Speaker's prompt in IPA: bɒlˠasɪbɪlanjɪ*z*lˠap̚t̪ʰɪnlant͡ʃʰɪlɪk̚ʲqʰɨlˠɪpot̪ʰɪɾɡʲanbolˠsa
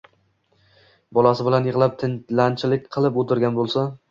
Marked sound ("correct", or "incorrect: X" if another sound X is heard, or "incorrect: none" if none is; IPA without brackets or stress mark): incorrect: ʁ